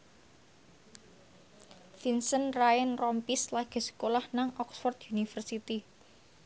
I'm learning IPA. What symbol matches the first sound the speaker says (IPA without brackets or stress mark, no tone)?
f